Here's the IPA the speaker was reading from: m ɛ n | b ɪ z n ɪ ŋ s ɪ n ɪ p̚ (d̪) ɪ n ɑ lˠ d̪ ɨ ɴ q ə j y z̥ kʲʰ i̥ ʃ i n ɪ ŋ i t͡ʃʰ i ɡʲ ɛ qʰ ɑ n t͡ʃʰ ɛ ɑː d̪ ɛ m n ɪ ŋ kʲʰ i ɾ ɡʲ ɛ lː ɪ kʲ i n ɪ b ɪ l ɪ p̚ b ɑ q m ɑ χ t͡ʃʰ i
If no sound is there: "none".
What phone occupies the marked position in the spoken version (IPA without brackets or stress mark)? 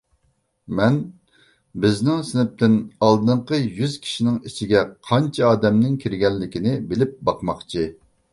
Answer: t̪